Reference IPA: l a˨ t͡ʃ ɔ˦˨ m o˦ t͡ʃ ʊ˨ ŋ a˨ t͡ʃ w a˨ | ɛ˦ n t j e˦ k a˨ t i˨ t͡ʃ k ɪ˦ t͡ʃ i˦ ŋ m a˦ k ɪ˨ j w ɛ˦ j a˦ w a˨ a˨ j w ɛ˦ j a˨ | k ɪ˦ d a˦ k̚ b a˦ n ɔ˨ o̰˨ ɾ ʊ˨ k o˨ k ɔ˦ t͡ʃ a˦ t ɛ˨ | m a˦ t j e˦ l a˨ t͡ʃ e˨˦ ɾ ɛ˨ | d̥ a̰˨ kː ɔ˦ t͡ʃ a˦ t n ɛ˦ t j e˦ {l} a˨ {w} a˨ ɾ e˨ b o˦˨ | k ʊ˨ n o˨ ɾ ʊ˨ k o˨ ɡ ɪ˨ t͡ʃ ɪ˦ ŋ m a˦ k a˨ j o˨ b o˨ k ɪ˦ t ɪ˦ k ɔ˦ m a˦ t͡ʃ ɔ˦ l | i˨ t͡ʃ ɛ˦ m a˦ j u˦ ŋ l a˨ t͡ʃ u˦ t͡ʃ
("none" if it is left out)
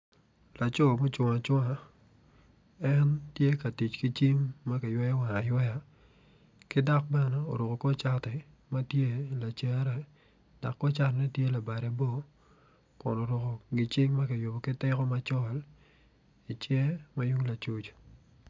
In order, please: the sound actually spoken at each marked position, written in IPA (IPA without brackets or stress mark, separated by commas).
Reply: l, b